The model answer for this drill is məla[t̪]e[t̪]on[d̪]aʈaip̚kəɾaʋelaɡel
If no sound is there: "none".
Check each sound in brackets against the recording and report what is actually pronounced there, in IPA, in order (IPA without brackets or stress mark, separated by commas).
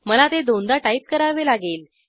t̪, d̪, d̪